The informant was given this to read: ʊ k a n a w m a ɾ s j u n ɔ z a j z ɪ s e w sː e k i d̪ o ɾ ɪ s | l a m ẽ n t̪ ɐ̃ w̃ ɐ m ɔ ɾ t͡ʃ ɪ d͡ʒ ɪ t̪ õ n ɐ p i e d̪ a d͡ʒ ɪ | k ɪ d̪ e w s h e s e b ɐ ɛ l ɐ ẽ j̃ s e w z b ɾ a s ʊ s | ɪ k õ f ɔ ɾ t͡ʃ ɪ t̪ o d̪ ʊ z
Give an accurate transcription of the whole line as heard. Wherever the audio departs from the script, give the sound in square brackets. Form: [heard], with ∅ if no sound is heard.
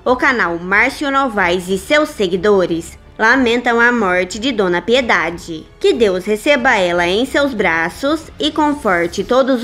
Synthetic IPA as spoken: ʊ k a n a w m a ɾ s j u n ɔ [v] a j z ɪ s e w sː e [ɡ] i d̪ o ɾ ɪ s | l a m ẽ n t̪ ɐ̃ w̃ ɐ m ɔ ɾ t͡ʃ ɪ d͡ʒ ɪ [d̪] õ n ɐ p i e d̪ a d͡ʒ ɪ | k ɪ d̪ e w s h e s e b ɐ ɛ l ɐ ẽ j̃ s e w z b ɾ a s ʊ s | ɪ k õ f ɔ ɾ t͡ʃ ɪ t̪ o d̪ ʊ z

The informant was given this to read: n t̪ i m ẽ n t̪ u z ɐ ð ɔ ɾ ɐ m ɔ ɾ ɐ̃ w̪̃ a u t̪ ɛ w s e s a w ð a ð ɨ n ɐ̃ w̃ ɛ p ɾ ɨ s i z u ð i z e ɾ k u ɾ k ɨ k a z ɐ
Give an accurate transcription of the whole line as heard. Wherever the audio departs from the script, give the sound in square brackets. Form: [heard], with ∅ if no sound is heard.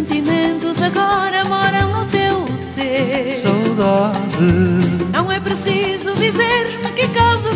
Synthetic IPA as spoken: n t̪ i m ẽ n t̪ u z ɐ [ɣ] ɔ ɾ ɐ m ɔ ɾ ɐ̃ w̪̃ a [w] t̪ [e] w s e s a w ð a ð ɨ n ɐ̃ w̃ ɛ p ɾ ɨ s i z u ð i z e ɾ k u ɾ k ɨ k a z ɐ

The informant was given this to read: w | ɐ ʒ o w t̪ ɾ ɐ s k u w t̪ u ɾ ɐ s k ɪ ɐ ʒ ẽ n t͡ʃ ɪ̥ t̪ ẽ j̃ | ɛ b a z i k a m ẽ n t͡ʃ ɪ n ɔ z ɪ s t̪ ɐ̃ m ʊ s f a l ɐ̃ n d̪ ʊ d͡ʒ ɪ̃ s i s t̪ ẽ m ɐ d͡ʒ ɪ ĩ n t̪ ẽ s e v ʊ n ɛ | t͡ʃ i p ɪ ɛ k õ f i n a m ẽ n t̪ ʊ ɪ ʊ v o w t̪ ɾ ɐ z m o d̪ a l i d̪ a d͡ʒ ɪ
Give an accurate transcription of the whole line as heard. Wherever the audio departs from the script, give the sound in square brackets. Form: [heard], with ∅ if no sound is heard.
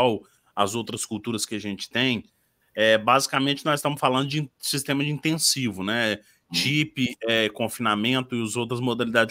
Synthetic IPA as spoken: w | ɐ [z] o w t̪ ɾ ɐ s k u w t̪ u ɾ ɐ s k ɪ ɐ ʒ ẽ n t͡ʃ ɪ̥ t̪ ẽ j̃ | ɛ b a z i k a m ẽ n t͡ʃ ɪ n ɔ z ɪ s t̪ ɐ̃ m ʊ s f a l ɐ̃ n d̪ ʊ d͡ʒ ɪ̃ s i s t̪ ẽ m ɐ d͡ʒ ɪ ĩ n t̪ ẽ s [i] v ʊ n ɛ | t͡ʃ i p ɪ ɛ k õ f i n a m ẽ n t̪ ʊ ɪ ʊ [z] o w t̪ ɾ ɐ z m o d̪ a l i d̪ a d͡ʒ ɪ

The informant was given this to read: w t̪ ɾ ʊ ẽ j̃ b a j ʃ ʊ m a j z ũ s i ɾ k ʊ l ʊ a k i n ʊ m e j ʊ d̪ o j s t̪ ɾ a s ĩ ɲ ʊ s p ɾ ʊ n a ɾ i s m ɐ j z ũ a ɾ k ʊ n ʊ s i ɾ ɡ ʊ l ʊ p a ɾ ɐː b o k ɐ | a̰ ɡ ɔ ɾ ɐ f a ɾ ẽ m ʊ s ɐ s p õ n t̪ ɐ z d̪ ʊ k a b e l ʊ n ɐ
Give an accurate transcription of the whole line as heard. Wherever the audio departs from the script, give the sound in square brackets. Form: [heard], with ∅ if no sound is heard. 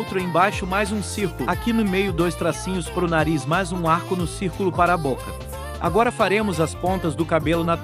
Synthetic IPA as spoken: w t̪ ɾ ʊ ẽ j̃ b a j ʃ ʊ m a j z ũ s i ɾ k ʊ l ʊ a k i n ʊ m e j ʊ d̪ o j s t̪ ɾ a s ĩ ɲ ʊ s p ɾ ʊ n a ɾ i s m [a] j z ũ a ɾ k ʊ n ʊ s i ɾ [k] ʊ l ʊ p a ɾ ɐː b o k ɐ | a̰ ɡ ɔ ɾ ɐ f a ɾ ẽ m ʊ [z] ɐ s p õ n t̪ ɐ z d̪ ʊ k a b e l ʊ n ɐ

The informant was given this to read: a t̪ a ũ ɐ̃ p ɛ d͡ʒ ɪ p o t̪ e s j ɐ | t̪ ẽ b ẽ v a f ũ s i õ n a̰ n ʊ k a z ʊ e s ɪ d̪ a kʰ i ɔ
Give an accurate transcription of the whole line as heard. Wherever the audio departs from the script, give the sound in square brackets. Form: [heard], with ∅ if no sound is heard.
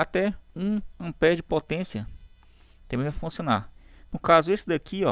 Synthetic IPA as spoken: a t̪ [ɛ] ũ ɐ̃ p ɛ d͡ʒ ɪ p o t̪ [ẽ] s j ɐ | t̪ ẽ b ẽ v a f ũ s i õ n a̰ n ʊ k a z ʊ e s ɪ d̪ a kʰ i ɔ

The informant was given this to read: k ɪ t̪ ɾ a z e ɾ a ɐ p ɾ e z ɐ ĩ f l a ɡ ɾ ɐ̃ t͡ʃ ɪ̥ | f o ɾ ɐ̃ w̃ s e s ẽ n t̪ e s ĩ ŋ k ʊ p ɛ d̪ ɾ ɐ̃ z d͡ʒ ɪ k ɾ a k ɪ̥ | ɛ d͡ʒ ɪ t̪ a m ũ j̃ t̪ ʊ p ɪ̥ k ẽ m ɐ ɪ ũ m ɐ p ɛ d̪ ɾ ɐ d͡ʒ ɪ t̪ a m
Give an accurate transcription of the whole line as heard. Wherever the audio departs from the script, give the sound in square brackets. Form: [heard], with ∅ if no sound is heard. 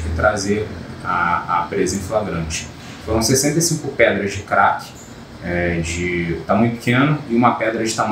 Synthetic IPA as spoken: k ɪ t̪ ɾ a z e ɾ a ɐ p ɾ e z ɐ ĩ f l a ɡ ɾ ɐ̃ t͡ʃ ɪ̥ | f o ɾ ɐ̃ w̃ s e s ẽ n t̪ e s ĩ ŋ k ʊ p ɛ d̪ ɾ [ɐ] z d͡ʒ ɪ k ɾ a k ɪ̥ | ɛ d͡ʒ ɪ t̪ a m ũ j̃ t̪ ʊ p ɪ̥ k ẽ [n] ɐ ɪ ũ m ɐ p ɛ d̪ ɾ ɐ d͡ʒ ɪ t̪ a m

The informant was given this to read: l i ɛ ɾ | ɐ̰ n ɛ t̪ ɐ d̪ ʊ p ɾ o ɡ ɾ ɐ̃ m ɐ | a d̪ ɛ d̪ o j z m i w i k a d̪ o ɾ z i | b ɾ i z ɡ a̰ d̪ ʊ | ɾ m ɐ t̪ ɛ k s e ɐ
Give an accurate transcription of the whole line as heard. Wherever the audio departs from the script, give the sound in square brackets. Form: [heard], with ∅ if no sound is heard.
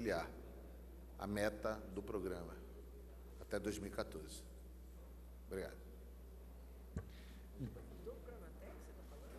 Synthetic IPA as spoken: l i [a] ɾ | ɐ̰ [m] ɛ t̪ ɐ d̪ ʊ p ɾ o ɡ ɾ ɐ̃ m ɐ | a [t̪] ɛ d̪ o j z m i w i k a [t̪] o ɾ z [ɪ] | b ɾ i [∅] ɡ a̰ d̪ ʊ | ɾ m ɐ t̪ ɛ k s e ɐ

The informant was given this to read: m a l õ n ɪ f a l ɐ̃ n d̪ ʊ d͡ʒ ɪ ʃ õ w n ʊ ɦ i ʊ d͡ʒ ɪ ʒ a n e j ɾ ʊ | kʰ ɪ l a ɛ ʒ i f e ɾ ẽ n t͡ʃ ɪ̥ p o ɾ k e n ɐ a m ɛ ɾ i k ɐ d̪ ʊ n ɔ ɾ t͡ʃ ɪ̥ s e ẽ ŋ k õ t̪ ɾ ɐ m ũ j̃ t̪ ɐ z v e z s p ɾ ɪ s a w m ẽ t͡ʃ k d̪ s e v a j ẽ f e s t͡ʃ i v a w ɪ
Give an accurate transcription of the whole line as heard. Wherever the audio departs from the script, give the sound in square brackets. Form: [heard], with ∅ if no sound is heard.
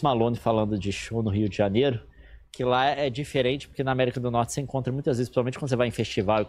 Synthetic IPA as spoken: m a l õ n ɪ f a l ɐ̃ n d̪ ʊ d͡ʒ ɪ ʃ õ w n ʊ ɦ i ʊ d͡ʒ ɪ ʒ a n e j ɾ ʊ | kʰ ɪ l a ɛ [d͡ʒ] i f e ɾ ẽ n t͡ʃ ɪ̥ p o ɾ k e n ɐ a m ɛ ɾ i k ɐ d̪ ʊ n ɔ ɾ t͡ʃ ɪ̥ s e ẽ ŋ k õ t̪ ɾ ɐ m ũ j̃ t̪ ɐ z v e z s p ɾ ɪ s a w m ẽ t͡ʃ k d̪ s e v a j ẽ f e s t͡ʃ i v a w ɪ

